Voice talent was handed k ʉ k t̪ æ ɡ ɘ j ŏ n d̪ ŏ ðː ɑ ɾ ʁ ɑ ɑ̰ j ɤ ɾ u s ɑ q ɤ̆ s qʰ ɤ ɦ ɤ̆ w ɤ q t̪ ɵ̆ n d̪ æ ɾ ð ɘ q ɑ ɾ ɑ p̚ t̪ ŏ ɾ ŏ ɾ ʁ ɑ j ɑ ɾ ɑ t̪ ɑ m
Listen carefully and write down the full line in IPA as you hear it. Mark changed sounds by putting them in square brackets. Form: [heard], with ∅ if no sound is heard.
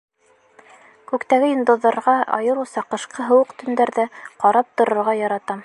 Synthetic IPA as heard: k ʉ k t̪ æ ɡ ɘ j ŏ n d̪ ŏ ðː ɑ ɾ ʁ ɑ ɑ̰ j ɤ ɾ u s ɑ q ɤ̆ [ʃ] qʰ ɤ ɦ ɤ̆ w ɤ q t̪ ɵ̆ n d̪ æ ɾ ð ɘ q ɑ ɾ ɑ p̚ t̪ ŏ ɾ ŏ ɾ ʁ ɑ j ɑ ɾ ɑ t̪ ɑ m

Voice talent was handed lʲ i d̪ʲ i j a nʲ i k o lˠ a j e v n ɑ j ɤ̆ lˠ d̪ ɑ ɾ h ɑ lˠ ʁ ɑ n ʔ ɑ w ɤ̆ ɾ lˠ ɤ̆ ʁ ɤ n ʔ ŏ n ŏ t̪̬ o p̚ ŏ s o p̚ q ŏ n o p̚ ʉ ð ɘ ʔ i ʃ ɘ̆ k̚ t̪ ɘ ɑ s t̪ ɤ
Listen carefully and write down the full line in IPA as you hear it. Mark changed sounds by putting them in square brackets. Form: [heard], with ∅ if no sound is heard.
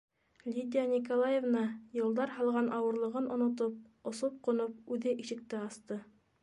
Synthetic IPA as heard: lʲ i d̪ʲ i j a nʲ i k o lˠ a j e v n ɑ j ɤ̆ lˠ d̪ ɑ ɾ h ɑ lˠ ʁ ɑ n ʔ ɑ w ɤ̆ ɾ lˠ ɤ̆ ʁ ɤ n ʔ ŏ n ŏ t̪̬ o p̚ ŏ s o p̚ q ŏ n o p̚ ʉ ð ɘ ʔ i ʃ ɘ̆ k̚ t̪ ɘ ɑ s t̪ ɤ

